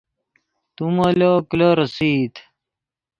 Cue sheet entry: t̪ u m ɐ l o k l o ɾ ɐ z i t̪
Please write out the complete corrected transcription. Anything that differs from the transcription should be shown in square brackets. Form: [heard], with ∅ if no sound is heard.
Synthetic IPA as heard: t̪ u m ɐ l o k l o ɾ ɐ [s] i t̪